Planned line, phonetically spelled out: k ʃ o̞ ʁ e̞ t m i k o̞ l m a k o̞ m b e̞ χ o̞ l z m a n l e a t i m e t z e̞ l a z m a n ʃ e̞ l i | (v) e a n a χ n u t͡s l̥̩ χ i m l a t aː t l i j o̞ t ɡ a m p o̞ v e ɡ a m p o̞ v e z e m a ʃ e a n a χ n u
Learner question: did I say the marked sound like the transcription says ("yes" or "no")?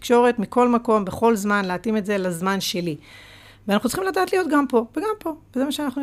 yes